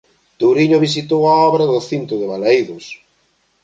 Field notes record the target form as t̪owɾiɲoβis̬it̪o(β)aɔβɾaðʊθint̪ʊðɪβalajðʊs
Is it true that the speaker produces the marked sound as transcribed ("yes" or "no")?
no